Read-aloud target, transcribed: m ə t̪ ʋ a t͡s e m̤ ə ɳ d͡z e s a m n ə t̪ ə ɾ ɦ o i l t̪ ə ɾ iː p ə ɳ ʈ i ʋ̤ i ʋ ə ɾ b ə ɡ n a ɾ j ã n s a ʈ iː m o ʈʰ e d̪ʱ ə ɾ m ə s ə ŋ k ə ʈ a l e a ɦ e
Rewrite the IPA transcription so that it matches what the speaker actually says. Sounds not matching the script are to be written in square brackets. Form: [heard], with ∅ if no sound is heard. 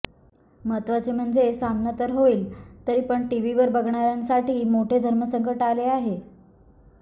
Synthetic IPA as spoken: m ə t̪ ʋ a t͡s e m̤ ə ɳ d͡z e s a m n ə t̪ ə ɾ ɦ o [iː] l t̪ ə ɾ iː p ə ɳ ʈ i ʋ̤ i ʋ ə ɾ b ə ɡ [ɳ] a ɾ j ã n s a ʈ iː m o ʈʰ e d̪ʱ ə ɾ m ə s ə ŋ k ə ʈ a l e a ɦ e

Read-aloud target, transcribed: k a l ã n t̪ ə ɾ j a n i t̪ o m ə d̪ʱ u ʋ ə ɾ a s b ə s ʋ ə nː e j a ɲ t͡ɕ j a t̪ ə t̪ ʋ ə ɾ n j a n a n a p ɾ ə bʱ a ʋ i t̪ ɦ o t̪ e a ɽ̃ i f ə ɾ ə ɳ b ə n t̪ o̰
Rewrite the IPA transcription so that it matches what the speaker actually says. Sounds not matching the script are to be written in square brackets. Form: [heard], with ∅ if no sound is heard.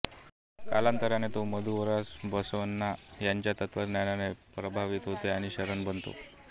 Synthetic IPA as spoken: k a l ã n t̪ ə ɾ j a n [e] t̪ o m ə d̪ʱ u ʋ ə ɾ a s b ə s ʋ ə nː [a] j a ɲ t͡ɕ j a t̪ ə t̪ ʋ ə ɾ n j a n a n [e] p ɾ ə bʱ a ʋ i t̪ ɦ o t̪ e a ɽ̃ i [ɕ] ə ɾ ə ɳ b ə n t̪ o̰

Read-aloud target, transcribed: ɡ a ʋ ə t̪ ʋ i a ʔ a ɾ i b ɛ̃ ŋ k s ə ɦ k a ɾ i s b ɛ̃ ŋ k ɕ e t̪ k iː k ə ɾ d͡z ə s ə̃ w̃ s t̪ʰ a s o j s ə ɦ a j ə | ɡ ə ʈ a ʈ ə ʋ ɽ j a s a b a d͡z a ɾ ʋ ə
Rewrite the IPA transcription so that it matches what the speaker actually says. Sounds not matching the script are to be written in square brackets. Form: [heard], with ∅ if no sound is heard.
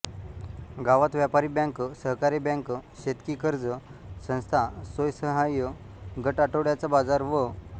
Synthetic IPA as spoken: ɡ a ʋ [a] t̪ ʋ [j] a [p] a ɾ i b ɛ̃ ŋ k s ə ɦ k a ɾ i [∅] b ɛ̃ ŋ k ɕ e t̪ k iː k ə ɾ d͡z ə s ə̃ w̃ s t̪ʰ a s o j s ə ɦ a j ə | ɡ ə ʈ a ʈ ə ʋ ɽ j a [t͡s] a b a d͡z a ɾ ʋ ə

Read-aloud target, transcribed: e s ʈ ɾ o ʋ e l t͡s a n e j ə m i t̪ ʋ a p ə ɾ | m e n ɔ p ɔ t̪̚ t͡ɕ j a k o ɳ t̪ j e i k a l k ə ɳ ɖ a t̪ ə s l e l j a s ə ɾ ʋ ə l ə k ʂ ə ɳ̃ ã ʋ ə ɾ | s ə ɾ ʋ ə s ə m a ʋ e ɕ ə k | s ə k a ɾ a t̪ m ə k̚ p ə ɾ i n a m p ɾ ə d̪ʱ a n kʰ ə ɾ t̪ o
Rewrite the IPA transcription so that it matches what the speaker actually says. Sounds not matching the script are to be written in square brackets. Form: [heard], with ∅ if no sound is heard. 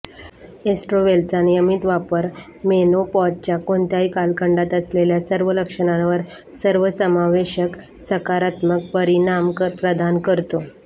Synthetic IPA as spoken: e s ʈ ɾ o ʋ e l t͡s a n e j ə m i t̪ ʋ a p ə ɾ | m e n [o] p ɔ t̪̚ t͡ɕ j a k o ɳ t̪ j [a] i k a l k ə ɳ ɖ a t̪ ə s l e l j a s ə ɾ ʋ ə l ə k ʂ ə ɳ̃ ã ʋ ə ɾ | s ə ɾ ʋ ə s ə m a ʋ e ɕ ə k | s ə k a ɾ a t̪ m ə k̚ p ə ɾ i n a m p ɾ ə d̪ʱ a n [k] ə ɾ t̪ o

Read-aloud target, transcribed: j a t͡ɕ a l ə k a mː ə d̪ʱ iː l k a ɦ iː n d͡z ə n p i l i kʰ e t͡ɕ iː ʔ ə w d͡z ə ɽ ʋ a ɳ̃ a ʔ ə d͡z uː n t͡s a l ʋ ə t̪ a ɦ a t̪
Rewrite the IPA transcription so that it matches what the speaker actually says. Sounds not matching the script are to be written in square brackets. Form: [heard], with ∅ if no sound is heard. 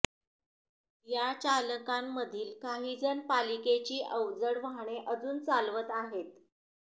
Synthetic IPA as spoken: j a t͡ɕ a l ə k a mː ə d̪ʱ iː l k a ɦ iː [∅] d͡z ə n p [a] l i [k] e t͡ɕ iː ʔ ə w d͡z ə ɽ ʋ a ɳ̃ [e] ʔ ə d͡z uː n t͡s a l ʋ ə t̪ a ɦ [e] t̪

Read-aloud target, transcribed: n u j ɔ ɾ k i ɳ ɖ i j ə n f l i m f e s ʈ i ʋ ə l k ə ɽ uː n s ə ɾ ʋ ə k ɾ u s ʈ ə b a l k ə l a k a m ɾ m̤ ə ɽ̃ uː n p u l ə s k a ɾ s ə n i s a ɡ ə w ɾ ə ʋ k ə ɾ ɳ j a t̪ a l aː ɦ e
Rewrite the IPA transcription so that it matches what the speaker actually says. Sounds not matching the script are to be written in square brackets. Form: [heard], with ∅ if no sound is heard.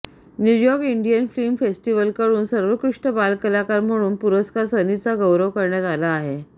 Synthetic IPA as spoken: n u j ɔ ɾ k i ɳ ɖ i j ə n f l i m f e s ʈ i ʋ ə l k ə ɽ uː n s ə ɾ ʋ ə k ɾ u [ʂ] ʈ ə b a l k ə l a k a [∅] ɾ m̤ ə ɽ̃ uː n p u [ɾ] ə s k a ɾ s ə n i [t͡s] a ɡ ə w ɾ ə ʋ k ə ɾ ɳ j a t̪ a l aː ɦ e

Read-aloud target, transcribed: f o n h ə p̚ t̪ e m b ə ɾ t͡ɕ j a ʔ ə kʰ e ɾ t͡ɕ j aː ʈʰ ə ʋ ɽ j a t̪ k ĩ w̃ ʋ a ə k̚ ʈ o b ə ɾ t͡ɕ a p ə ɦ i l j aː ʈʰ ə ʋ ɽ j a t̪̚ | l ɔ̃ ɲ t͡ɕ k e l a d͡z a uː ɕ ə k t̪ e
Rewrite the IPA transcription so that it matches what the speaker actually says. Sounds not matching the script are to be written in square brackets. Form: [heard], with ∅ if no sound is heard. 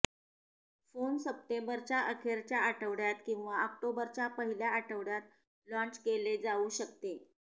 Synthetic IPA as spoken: f o n [s] ə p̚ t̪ e m b ə ɾ t͡ɕ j a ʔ ə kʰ e ɾ t͡ɕ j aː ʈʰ ə ʋ ɽ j a t̪ k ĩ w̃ ʋ a ə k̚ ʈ o b ə ɾ t͡ɕ a p ə ɦ i l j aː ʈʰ ə ʋ ɽ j a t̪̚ | l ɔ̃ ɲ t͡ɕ k e l [e] d͡z a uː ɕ ə k t̪ e

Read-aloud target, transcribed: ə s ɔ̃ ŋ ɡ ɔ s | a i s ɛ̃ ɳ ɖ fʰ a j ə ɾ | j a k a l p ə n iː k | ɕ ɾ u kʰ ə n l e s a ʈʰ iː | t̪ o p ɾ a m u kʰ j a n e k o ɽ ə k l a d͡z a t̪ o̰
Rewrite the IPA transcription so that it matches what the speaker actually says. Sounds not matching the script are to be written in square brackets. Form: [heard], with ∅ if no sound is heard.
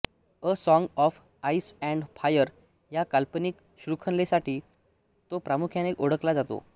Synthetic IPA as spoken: ə s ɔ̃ ŋ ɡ ɔ [f] | a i s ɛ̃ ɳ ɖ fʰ a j ə ɾ | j a k a l p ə n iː k | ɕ ɾ u kʰ ə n l e s a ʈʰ iː | t̪ o p ɾ a m u kʰ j a n e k o ɽ ə k l a d͡z a t̪ o̰

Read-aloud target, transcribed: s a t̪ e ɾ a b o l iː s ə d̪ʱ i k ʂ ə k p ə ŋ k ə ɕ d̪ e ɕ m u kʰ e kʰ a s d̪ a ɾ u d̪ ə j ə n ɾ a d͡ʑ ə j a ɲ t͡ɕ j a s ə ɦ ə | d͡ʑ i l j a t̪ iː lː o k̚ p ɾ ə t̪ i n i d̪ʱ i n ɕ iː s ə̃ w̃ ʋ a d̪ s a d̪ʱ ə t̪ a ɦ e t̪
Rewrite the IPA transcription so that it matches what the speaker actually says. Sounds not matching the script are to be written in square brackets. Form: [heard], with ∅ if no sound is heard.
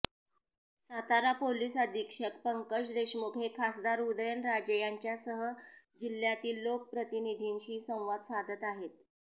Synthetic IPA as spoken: s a t̪ [a] ɾ a [p] o l iː s ə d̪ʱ i k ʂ ə k p ə ŋ k ə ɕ d̪ e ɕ m u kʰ e kʰ a s d̪ a ɾ u d̪ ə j ə n ɾ a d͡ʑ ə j a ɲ t͡ɕ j a s ə ɦ ə | d͡ʑ i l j a t̪ iː lː o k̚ p ɾ ə t̪ i n i d̪ʱ i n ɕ iː s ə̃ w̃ ʋ a d̪ s a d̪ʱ ə t̪ a ɦ e t̪

